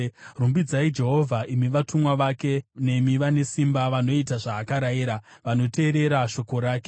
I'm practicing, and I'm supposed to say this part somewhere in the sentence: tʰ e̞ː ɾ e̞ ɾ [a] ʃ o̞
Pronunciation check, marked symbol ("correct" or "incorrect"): correct